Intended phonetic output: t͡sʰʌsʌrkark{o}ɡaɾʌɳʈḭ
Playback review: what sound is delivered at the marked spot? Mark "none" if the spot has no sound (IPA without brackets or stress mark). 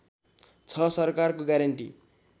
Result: o